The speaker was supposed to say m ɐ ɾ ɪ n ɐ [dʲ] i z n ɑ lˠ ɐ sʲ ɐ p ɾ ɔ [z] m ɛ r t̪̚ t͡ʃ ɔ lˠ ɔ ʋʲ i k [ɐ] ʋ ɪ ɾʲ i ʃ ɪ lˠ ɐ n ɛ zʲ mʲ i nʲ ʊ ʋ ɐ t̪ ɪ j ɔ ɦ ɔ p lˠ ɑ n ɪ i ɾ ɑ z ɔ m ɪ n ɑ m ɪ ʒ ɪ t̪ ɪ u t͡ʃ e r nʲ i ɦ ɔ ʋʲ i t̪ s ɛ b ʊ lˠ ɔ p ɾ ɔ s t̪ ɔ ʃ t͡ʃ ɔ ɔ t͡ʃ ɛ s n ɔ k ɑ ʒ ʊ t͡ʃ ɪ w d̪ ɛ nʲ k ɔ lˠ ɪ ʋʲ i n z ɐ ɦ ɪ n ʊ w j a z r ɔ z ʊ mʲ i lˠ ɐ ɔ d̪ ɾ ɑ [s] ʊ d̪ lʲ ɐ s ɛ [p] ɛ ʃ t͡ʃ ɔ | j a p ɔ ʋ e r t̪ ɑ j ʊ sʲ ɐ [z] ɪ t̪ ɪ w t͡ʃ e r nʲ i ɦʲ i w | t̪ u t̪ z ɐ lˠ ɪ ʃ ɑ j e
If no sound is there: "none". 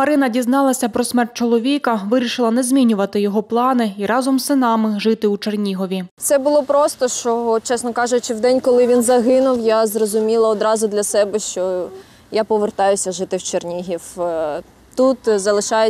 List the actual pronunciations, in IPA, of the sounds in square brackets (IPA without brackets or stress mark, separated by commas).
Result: dʲ, s, ɐ, z, b, ʒ